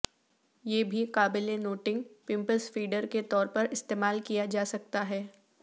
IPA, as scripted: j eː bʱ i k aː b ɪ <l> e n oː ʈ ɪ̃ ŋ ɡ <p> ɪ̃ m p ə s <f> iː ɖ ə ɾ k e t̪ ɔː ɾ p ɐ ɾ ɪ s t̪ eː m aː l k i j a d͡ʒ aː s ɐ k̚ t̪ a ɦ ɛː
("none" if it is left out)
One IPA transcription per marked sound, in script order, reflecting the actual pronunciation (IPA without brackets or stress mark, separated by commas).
l, p, f